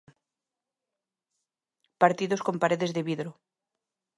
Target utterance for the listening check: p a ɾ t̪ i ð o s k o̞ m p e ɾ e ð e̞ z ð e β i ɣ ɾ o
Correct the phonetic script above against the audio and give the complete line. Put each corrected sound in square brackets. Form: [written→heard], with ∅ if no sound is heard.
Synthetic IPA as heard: p a ɾ t̪ i ð o s k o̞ m p [e→a] ɾ e ð e̞ z ð e β i [ɣ→ð] ɾ o